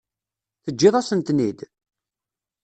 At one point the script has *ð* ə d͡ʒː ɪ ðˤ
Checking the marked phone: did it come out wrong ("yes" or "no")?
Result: yes